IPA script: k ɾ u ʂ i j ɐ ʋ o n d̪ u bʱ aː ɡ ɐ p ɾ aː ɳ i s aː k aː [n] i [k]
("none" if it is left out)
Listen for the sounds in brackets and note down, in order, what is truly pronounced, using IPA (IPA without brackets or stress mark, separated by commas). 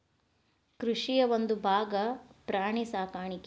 ɳ, k